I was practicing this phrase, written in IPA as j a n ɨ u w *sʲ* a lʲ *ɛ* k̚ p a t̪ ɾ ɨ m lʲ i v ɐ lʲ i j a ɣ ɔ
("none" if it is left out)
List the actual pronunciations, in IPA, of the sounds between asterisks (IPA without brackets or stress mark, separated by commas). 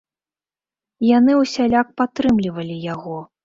sʲ, a